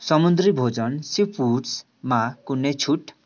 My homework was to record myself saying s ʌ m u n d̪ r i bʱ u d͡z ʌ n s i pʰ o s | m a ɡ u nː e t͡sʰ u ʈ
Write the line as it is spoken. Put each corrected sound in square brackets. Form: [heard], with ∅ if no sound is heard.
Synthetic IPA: s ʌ m u n d̪ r i bʱ [o] d͡z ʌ n s i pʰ [u] s | m a [k] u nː e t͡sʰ u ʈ